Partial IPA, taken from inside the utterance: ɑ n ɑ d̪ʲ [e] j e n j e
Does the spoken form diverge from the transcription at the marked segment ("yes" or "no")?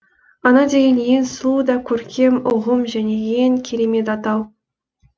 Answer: no